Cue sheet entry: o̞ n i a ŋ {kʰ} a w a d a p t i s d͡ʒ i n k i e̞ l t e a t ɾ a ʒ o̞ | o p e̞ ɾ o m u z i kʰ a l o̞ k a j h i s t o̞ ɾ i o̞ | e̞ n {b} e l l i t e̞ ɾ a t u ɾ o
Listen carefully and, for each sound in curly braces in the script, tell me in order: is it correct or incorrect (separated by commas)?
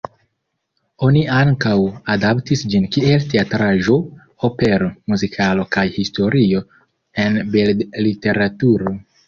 incorrect, correct